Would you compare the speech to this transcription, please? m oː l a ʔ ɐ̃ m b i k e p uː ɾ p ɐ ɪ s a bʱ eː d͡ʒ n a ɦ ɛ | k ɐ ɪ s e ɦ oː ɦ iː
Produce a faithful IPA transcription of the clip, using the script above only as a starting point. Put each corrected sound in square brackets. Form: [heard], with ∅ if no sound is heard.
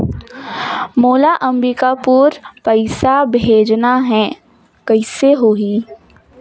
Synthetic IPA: m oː l a ʔ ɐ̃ m b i k [a] p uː ɾ p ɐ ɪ s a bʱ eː d͡ʒ n a ɦ ɛ | k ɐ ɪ s e ɦ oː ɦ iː

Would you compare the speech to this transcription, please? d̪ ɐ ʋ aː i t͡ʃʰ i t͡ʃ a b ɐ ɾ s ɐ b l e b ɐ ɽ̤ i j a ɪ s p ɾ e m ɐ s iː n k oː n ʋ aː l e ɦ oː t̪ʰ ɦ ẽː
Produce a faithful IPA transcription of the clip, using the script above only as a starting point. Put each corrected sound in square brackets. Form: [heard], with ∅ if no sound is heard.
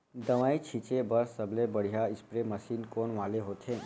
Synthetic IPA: d̪ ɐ ʋ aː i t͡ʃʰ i t͡ʃ [e] b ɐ ɾ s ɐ b l e b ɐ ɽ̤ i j a ɪ s p ɾ e m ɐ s iː n k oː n ʋ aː l e ɦ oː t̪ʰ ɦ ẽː

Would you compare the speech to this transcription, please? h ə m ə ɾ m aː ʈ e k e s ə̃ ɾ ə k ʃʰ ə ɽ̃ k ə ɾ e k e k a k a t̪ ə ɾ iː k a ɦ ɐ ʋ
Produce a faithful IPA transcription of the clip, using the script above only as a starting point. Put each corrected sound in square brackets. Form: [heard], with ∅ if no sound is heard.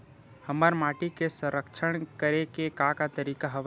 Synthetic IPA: h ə m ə ɾ m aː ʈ [i] k e s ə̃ ɾ ə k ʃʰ ə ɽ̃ k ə ɾ e k e k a k a t̪ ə ɾ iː k a ɦ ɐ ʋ

